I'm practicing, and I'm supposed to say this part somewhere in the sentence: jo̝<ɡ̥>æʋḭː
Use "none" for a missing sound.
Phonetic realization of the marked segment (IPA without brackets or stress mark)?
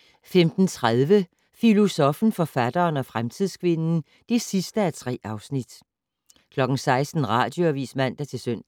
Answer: none